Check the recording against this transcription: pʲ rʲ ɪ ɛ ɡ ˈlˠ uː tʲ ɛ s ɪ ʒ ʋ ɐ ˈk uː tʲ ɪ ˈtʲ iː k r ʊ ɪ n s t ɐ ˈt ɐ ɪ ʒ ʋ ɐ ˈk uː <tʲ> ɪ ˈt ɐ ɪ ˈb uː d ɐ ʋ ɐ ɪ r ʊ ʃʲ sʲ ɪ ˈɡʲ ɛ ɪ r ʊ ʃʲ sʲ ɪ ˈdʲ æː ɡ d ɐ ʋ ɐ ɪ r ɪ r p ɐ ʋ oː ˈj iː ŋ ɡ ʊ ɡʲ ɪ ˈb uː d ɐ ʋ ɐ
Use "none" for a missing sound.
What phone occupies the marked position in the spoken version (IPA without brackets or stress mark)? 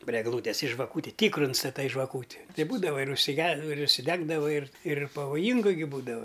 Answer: tʲ